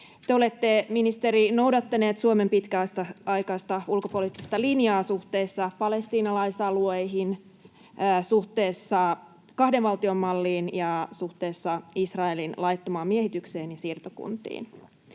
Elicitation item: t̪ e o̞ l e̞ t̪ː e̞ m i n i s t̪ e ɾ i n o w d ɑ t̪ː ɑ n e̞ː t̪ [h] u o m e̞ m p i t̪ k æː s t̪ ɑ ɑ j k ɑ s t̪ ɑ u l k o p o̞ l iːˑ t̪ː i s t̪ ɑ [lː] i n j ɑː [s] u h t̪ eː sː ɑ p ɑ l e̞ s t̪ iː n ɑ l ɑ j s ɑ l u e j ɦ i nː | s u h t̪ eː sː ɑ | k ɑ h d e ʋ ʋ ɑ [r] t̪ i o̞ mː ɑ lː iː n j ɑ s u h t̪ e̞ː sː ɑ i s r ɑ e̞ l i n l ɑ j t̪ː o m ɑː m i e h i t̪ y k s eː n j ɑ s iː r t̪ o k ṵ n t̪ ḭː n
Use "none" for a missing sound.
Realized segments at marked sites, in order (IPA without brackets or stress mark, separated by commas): s, l, s, l